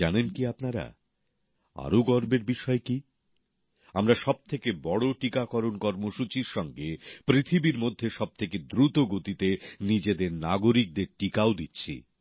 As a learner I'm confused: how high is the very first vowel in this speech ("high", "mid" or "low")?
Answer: low